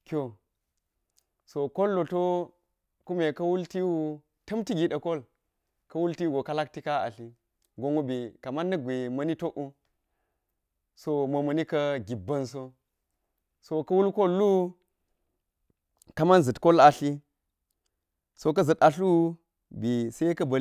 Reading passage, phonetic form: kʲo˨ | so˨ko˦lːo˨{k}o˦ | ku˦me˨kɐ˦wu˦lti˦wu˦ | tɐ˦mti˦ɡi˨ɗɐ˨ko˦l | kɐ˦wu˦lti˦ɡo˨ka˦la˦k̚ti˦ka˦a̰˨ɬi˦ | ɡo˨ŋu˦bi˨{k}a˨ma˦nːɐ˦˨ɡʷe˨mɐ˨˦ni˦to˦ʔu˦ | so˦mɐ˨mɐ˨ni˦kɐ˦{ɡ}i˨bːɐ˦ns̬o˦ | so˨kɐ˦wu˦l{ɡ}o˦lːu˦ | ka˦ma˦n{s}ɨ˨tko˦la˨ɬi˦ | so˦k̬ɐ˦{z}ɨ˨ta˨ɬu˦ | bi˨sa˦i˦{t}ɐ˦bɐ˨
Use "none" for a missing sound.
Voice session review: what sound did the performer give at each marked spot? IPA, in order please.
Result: t, k, ɡ, k, z, z, k

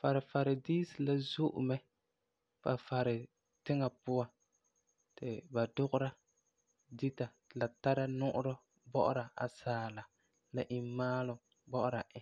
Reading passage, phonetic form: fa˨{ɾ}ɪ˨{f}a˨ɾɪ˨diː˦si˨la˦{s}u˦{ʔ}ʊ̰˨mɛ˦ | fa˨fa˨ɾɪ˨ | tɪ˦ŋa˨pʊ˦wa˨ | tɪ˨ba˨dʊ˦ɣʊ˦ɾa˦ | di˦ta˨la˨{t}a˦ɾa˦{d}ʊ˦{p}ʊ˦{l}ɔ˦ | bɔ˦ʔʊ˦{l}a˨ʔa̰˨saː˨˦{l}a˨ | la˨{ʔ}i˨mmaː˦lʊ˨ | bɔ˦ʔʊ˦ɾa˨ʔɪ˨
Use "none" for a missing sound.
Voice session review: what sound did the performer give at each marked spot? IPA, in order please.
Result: ɾ, f, z, ʔ, t, n, ʔ, ɾ, ɾ, l, ʔ

